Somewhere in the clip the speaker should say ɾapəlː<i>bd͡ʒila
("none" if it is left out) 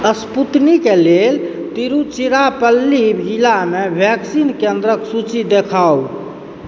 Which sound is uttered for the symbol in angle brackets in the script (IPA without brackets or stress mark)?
i